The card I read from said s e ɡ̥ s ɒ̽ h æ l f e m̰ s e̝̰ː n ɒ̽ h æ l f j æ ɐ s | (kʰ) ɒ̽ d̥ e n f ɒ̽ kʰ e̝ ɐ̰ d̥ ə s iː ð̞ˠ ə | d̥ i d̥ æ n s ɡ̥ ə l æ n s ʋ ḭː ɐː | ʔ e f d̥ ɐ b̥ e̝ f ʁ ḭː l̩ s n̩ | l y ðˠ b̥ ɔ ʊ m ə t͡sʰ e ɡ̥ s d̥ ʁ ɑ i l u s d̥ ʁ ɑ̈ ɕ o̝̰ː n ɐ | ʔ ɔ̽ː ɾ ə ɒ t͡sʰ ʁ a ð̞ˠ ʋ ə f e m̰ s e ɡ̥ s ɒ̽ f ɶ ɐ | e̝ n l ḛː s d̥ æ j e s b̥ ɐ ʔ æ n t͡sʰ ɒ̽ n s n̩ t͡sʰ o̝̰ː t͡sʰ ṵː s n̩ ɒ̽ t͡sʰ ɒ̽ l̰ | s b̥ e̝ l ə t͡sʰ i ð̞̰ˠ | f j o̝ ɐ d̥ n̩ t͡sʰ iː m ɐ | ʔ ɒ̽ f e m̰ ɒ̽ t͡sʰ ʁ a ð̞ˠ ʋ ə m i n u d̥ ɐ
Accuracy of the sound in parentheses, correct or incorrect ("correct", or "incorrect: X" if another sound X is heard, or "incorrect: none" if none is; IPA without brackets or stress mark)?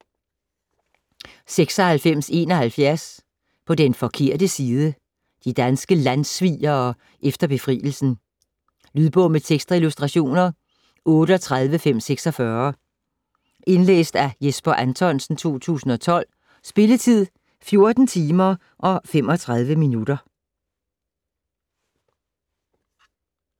incorrect: pʰ